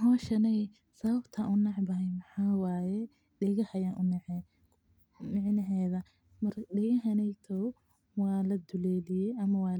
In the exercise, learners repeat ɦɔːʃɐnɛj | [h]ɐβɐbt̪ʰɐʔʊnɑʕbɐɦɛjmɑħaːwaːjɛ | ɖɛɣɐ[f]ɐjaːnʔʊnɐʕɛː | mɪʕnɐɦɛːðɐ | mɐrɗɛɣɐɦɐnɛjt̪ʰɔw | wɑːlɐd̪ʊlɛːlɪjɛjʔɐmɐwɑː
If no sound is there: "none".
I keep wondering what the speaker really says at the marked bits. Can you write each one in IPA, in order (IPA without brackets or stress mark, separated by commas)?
s, h